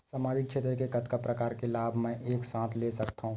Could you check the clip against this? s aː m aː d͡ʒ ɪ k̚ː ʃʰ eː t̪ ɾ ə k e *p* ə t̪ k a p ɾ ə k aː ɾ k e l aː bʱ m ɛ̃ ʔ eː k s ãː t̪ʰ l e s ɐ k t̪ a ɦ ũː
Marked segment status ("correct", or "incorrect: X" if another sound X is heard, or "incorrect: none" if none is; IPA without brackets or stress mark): incorrect: k